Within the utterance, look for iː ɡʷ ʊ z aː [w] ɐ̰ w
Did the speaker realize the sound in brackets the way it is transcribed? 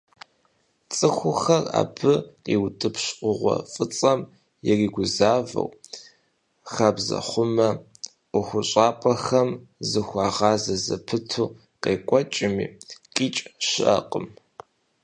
no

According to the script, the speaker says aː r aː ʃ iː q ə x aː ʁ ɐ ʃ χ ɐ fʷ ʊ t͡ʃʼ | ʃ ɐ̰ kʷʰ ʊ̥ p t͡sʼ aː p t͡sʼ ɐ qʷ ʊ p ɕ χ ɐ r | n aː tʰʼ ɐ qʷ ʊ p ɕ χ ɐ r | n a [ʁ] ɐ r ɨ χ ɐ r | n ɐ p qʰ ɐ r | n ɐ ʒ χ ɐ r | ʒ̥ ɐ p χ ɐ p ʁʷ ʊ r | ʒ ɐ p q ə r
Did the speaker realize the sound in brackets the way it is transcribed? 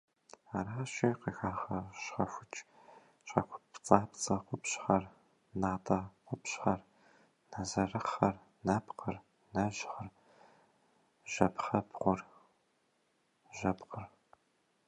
no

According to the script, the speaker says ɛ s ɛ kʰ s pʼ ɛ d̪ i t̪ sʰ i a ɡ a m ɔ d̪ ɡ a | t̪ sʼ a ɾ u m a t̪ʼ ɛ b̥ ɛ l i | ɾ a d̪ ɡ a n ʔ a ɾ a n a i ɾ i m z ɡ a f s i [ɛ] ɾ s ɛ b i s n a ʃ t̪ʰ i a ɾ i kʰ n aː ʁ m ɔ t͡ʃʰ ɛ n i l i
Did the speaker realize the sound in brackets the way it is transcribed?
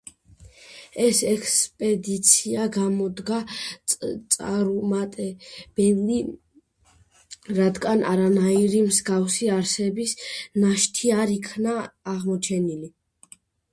no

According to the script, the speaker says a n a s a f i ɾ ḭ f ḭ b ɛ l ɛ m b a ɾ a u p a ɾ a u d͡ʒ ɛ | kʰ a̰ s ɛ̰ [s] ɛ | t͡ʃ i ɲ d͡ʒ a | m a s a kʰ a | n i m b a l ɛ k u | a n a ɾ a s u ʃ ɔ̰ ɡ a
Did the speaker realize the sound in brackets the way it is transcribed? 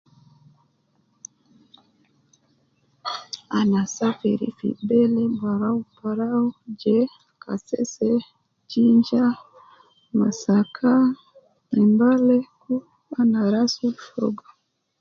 yes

